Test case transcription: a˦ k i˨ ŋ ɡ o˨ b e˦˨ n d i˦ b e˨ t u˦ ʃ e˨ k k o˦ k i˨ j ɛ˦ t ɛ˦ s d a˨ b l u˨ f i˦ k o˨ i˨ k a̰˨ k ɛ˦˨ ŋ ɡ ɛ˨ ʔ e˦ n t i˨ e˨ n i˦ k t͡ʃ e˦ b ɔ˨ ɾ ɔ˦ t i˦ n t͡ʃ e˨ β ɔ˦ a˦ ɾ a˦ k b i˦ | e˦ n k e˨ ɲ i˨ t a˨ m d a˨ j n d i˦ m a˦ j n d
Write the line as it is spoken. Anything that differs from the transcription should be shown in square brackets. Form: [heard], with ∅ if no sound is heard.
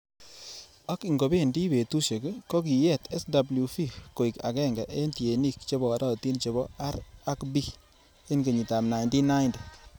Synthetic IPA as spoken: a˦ k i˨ ŋ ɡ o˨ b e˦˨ n d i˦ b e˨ t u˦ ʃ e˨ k k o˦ k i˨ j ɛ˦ t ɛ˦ s d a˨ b l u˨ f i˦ k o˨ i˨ k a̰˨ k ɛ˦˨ ŋ ɡ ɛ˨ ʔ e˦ n t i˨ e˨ n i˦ k t͡ʃ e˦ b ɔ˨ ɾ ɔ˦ t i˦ n t͡ʃ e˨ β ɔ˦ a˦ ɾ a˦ k b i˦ | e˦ n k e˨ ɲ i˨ t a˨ m [n] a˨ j n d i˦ [n] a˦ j n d